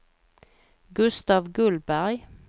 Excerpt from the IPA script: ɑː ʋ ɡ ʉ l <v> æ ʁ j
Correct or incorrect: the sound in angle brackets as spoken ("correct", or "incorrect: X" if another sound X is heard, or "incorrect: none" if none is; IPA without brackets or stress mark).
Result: incorrect: b